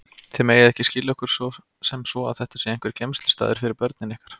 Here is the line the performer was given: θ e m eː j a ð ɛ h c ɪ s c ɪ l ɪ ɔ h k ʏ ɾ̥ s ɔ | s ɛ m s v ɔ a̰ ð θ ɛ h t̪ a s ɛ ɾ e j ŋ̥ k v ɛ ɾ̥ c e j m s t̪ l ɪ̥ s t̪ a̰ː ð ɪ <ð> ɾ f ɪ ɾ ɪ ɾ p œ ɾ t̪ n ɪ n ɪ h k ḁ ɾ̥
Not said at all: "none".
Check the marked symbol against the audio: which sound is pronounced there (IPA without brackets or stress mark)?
none